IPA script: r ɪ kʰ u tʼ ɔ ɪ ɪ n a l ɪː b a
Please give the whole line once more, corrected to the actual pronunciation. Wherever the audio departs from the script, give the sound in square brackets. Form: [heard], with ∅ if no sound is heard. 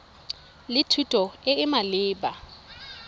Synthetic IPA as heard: [l] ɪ [tʰ] u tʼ ɔ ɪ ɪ [m] a l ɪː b a